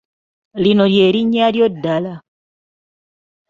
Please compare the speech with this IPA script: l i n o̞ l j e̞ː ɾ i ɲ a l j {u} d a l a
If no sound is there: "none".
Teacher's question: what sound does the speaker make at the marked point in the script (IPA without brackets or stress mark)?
o